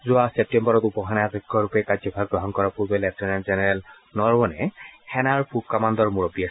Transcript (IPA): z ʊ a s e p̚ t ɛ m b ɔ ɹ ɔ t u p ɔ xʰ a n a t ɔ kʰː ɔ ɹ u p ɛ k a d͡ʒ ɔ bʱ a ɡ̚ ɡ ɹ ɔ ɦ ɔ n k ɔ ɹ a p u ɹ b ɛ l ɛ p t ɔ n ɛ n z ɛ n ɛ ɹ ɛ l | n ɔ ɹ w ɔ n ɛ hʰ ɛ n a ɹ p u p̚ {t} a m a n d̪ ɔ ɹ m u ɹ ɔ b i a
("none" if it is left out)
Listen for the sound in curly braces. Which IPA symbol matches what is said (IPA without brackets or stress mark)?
k